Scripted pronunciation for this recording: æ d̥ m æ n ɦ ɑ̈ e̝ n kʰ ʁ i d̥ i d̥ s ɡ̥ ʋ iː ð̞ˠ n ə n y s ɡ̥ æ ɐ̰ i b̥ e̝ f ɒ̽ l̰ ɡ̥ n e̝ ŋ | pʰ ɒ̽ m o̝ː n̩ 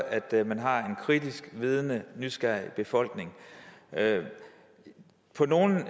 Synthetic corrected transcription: æ d̥ m æ n ɦ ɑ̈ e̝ n kʰ ʁ i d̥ i s ɡ̥ ʋ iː ð̞ˠ n ə n y s ɡ̥ æ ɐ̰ i b̥ e̝ f ɒ̽ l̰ ɡ̥ n e̝ ŋ | pʰ ɒ̽ n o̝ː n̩